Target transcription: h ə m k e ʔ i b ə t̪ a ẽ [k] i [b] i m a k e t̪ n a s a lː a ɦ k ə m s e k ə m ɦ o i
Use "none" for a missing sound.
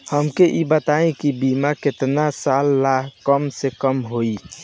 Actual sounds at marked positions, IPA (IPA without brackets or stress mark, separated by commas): k, b